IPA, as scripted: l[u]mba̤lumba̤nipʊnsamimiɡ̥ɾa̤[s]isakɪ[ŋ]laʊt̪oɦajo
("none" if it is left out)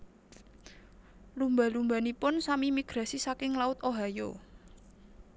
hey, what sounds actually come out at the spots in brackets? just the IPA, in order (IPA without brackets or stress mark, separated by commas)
u, s, ŋ